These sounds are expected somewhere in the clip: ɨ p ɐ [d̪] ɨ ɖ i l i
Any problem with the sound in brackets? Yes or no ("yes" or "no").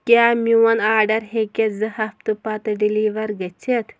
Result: yes